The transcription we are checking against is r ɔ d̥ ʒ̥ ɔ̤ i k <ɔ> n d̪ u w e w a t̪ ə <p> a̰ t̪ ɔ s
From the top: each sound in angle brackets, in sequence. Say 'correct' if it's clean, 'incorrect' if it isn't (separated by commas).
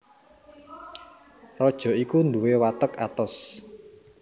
incorrect, incorrect